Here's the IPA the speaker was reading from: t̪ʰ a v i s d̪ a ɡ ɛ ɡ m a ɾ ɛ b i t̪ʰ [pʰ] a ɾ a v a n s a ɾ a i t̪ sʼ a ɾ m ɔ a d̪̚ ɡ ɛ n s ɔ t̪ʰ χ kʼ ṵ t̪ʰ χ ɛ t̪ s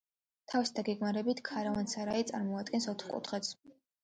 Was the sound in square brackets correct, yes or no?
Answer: no